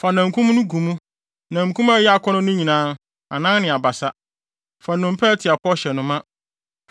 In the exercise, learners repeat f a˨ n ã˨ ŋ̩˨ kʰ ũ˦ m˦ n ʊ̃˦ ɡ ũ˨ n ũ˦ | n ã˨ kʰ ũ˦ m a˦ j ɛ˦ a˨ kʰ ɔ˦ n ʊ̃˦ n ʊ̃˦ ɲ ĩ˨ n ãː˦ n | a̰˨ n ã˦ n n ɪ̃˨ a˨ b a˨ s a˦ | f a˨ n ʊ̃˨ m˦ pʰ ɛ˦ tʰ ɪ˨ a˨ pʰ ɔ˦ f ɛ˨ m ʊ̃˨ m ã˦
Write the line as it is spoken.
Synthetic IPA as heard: f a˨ n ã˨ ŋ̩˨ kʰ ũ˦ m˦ n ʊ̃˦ ɡ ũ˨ m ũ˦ | n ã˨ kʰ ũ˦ m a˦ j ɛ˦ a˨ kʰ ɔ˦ n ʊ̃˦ n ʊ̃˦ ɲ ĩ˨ n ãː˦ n | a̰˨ n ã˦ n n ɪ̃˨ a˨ b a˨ s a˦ | f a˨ n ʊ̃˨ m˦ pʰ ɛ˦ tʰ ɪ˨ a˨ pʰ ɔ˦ ɕ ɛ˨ n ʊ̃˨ m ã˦